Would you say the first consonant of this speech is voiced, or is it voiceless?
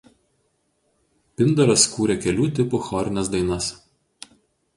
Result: voiceless